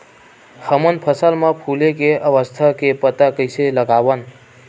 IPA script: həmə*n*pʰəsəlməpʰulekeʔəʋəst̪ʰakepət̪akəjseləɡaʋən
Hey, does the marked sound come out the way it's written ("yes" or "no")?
yes